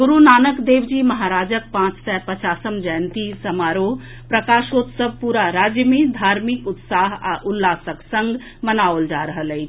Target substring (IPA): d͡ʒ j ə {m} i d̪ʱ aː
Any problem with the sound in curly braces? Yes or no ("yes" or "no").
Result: no